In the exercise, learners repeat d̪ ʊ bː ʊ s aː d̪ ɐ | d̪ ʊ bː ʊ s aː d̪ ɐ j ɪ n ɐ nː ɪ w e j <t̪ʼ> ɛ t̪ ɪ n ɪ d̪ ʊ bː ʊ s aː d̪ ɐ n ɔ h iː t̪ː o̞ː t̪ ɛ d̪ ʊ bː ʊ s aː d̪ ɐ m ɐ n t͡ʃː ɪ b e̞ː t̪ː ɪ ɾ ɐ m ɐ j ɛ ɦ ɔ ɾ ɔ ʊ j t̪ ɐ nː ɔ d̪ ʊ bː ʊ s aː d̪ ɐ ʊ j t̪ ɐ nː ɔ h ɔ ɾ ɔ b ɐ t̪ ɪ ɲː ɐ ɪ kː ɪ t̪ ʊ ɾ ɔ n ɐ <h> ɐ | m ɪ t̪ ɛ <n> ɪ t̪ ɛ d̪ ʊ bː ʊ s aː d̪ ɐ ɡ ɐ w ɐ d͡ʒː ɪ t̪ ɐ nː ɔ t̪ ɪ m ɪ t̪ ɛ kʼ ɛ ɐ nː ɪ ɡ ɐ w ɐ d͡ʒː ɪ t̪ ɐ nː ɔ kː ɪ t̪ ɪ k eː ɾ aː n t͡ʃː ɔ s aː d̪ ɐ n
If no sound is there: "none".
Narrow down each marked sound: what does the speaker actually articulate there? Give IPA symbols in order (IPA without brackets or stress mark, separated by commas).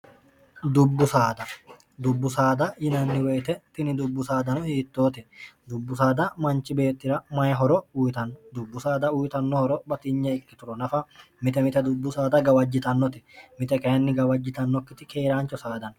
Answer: t̪, f, m